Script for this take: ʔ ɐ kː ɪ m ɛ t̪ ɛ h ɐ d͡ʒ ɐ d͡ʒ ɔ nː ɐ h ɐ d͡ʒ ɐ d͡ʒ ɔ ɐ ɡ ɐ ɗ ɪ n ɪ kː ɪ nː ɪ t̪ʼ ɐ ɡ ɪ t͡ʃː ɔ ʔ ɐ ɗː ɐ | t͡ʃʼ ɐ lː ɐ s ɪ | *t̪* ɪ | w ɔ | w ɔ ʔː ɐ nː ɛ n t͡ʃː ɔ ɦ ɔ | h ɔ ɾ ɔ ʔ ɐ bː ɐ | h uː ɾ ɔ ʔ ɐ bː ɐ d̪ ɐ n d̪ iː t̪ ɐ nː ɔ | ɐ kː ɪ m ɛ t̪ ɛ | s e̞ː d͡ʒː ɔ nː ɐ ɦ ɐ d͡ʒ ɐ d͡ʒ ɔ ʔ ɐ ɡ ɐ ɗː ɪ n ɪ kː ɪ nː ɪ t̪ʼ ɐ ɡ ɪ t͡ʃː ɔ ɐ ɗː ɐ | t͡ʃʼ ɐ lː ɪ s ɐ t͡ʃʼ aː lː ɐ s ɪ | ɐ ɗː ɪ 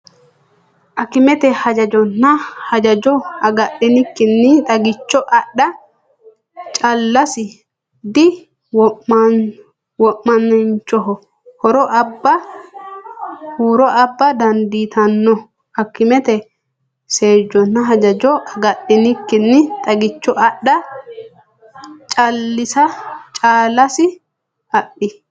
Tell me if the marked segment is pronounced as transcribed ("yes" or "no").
no